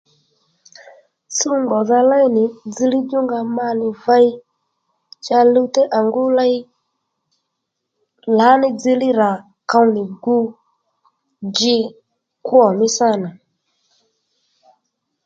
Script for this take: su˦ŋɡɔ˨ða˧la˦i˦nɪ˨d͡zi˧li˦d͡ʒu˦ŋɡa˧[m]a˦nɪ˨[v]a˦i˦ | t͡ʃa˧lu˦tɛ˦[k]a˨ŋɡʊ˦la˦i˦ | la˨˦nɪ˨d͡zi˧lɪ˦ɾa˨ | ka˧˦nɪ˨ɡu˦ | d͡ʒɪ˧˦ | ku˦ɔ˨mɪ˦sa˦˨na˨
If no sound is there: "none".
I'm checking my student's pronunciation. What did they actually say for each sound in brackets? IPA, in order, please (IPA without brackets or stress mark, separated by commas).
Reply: m, v, ʔ